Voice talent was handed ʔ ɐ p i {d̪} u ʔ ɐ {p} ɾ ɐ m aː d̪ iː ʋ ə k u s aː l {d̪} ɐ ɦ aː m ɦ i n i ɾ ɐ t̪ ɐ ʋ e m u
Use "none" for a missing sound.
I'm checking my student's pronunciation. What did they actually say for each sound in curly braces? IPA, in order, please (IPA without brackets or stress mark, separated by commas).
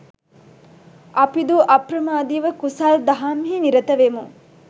d̪, p, d̪